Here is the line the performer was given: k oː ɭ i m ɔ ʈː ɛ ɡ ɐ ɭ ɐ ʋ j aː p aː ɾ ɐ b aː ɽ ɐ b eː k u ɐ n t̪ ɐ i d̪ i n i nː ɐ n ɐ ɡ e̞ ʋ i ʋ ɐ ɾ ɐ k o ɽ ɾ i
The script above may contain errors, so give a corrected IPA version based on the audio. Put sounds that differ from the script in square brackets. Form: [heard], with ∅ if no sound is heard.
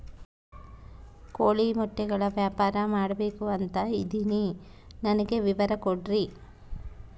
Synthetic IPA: k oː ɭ i m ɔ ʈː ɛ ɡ ɐ ɭ ɐ ʋ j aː p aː ɾ ɐ [m] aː ɽ ɐ b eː k u ɐ n t̪ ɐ i d̪ i n i [n] ɐ n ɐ ɡ e̞ ʋ i ʋ ɐ ɾ ɐ k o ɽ ɾ i